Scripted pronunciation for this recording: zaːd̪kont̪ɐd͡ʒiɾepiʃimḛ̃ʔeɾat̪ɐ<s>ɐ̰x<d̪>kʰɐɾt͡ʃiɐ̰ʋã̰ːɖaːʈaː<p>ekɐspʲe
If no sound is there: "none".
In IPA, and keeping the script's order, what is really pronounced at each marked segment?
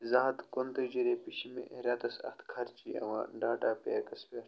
s, t̪, p

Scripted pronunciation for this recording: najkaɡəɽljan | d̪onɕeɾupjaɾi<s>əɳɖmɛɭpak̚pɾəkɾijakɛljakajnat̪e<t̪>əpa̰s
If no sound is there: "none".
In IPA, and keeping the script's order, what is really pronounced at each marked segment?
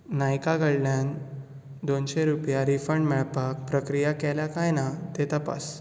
f, t̪

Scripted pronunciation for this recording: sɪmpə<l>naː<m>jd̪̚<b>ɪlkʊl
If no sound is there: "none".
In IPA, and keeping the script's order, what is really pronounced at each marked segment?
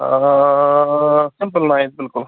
l, none, b

